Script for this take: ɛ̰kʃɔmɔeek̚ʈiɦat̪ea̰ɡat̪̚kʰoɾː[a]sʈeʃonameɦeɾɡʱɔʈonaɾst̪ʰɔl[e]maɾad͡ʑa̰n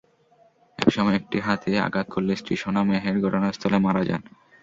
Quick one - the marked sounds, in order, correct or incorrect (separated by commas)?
incorrect, correct